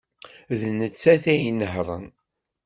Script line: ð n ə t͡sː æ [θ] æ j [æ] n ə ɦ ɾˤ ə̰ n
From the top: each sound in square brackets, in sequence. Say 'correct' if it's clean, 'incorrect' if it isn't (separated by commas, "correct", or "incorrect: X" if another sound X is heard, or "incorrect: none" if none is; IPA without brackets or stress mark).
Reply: correct, incorrect: i